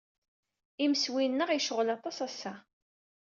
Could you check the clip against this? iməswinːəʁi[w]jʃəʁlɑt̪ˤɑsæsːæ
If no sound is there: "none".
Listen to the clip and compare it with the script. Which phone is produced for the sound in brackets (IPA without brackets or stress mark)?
none